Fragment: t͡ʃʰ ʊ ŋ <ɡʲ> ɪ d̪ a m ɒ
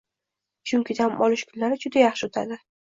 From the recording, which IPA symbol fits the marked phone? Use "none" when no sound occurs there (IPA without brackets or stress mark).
kʲ